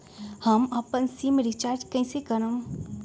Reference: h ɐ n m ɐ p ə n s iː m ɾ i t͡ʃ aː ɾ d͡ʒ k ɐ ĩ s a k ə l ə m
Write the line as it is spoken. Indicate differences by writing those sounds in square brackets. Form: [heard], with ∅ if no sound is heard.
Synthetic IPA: h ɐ [∅] m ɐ p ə n s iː m ɾ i t͡ʃ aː ɾ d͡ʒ k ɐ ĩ s [e] k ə [ɾ] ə m